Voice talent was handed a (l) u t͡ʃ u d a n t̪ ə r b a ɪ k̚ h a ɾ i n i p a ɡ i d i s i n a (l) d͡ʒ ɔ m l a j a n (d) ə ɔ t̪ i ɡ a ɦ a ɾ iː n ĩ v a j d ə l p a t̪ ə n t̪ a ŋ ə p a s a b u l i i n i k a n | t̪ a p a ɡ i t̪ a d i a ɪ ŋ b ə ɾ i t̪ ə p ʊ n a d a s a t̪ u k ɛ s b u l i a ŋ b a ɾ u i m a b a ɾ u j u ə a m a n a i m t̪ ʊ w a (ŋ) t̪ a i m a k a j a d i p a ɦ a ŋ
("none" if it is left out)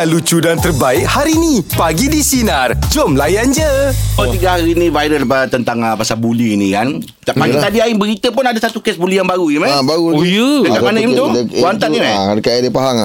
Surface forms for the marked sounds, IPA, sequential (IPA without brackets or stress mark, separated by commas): l, r, d͡ʒ, n